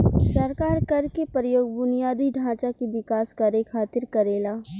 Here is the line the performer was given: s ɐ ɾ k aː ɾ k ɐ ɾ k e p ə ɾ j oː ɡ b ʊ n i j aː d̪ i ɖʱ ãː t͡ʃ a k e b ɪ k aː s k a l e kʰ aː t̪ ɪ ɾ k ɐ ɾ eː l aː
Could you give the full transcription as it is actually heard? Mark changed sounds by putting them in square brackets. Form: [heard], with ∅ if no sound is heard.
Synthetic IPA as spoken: s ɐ ɾ k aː ɾ k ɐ ɾ k e p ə ɾ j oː ɡ b ʊ n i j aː d̪ i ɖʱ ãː t͡ʃ a k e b ɪ k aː s k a [ɾ] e kʰ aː t̪ ɪ ɾ k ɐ ɾ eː l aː

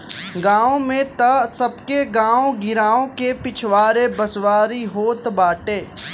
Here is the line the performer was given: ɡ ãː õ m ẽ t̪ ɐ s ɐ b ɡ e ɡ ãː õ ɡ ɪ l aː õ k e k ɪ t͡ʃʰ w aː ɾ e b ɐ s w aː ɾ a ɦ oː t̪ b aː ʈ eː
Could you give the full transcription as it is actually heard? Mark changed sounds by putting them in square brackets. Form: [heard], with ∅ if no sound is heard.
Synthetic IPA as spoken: ɡ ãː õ m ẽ t̪ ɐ s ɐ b [k] e ɡ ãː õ ɡ ɪ [ɾ] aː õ k e [p] ɪ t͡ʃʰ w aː ɾ e b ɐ s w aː ɾ [i] ɦ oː t̪ b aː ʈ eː

